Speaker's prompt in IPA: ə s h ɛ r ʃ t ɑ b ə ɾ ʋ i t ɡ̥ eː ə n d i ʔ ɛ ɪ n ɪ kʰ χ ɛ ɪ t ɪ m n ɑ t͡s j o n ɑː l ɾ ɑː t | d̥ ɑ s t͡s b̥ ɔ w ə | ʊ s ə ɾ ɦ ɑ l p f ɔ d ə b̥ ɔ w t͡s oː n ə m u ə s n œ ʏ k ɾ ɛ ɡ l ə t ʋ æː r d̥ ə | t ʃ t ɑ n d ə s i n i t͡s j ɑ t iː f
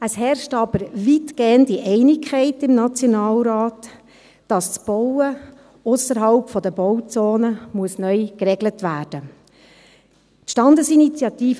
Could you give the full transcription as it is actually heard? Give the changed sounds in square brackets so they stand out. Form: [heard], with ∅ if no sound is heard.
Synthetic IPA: ə s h ɛ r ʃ t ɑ b ə ɾ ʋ i t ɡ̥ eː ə n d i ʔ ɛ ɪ n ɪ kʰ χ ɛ ɪ t ɪ m n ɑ t͡s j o n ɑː l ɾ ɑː t | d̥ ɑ s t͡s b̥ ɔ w ə | ʊ s ə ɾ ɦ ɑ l p f ɔ d ə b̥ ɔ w t͡s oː n ə m u ə s n œ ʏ k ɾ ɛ ɡ l ə t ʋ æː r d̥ ə | t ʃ t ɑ n d ə s i n i t͡s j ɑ t iː f